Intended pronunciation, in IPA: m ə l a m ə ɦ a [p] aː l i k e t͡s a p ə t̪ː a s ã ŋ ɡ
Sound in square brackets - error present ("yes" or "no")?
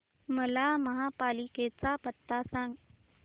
no